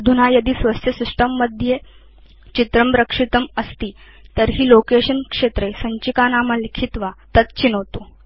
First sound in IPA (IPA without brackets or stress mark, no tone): d̪ʱ